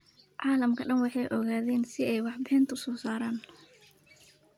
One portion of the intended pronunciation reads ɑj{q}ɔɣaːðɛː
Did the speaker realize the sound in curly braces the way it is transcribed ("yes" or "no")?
no